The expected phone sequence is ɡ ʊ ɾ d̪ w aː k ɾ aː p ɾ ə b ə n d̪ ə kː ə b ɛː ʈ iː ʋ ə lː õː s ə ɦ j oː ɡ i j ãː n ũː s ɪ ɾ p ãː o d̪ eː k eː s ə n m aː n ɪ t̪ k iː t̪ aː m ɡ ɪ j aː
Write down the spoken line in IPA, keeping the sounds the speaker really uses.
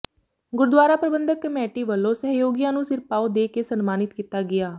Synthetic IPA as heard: ɡ ʊ ɾ d̪ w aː ɾ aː p ɾ ə b ə n d̪ ə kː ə m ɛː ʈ iː ʋ ə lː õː s ə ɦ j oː ɡ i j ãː n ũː s ɪ ɾ p aː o d̪ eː k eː s ə n m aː n ɪ t̪ k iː t̪ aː ɡ ɪ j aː